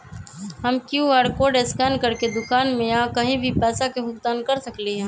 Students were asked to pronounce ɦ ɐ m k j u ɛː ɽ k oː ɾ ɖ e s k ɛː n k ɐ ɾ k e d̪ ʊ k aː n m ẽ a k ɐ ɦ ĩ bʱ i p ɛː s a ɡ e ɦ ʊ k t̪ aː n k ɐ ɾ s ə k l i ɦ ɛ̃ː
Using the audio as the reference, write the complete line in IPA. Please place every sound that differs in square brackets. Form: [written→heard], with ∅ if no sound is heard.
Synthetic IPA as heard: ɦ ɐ m k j u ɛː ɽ k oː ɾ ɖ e s k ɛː n k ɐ ɾ k e d̪ ʊ k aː n m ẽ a k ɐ ɦ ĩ bʱ i p ɛː s a [ɡ→k] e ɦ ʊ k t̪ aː n k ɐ ɾ s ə k l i ɦ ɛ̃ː